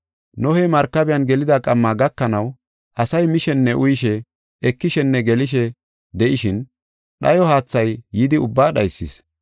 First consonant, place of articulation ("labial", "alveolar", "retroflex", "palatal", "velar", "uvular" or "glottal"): alveolar